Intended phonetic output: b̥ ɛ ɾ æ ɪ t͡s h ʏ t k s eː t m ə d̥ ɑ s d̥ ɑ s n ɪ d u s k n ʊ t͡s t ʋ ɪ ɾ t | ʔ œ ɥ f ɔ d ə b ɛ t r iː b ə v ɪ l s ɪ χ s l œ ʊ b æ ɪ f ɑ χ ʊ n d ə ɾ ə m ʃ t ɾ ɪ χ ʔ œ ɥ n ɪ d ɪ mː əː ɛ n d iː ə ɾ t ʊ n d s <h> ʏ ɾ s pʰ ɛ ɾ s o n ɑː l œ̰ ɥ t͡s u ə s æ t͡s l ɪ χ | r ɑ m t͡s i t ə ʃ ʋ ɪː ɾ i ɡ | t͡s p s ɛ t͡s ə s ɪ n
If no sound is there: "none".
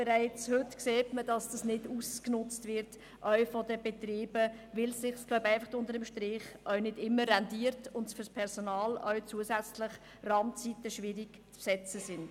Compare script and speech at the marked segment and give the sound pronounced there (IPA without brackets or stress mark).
f